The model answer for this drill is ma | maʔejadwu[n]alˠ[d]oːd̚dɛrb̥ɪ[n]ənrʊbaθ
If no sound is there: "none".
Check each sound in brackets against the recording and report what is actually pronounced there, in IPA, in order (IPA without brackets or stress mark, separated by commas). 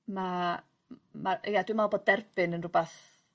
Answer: m, b, n